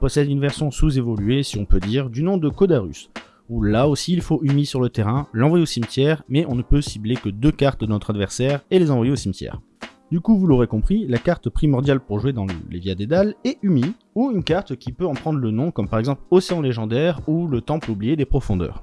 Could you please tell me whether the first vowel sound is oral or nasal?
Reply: oral